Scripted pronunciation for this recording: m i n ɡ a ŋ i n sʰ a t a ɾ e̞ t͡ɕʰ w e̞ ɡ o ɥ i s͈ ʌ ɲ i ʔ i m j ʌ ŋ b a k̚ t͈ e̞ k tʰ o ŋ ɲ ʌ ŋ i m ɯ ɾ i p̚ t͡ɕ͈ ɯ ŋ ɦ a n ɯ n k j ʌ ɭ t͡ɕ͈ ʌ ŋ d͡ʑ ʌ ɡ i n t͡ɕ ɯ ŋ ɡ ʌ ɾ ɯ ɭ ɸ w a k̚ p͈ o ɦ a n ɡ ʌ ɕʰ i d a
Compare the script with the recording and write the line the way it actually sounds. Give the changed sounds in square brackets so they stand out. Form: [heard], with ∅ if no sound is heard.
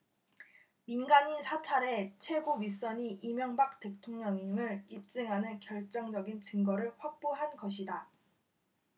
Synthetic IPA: m i n ɡ a [ɲ] i n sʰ a [t͡ɕʰ] a ɾ e̞ t͡ɕʰ w e̞ ɡ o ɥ i s͈ ʌ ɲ i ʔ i m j ʌ ŋ b a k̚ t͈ e̞ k tʰ o ŋ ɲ ʌ ŋ i m ɯ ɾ i p̚ t͡ɕ͈ ɯ ŋ ɦ a n ɯ n k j ʌ ɭ t͡ɕ͈ ʌ ŋ d͡ʑ ʌ ɡ i n t͡ɕ ɯ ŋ ɡ ʌ ɾ ɯ ɭ ɸ w a k̚ p͈ o ɦ a n ɡ ʌ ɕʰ i d a